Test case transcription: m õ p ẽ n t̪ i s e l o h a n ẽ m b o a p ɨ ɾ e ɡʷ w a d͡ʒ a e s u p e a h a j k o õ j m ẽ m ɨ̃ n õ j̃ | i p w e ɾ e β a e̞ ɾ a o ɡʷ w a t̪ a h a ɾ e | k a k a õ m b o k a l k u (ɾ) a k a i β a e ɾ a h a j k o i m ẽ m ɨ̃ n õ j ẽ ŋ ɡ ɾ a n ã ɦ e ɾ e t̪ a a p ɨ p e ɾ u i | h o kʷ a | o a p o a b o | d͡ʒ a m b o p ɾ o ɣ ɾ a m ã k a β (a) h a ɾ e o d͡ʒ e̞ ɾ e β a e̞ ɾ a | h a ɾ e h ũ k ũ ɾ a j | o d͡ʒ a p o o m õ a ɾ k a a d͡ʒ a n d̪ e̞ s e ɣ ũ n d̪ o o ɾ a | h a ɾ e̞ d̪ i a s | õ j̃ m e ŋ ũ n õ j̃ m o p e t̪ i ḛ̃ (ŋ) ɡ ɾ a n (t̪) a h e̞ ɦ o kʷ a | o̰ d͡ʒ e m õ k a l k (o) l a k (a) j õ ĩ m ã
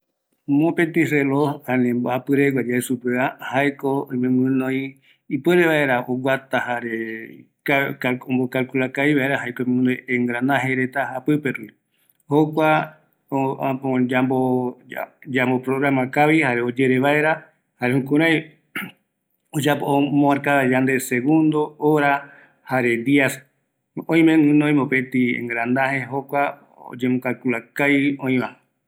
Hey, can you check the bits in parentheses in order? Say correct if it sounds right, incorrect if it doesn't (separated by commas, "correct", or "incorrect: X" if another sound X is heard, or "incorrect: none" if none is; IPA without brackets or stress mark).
incorrect: l, incorrect: i, correct, incorrect: d̪, incorrect: u, correct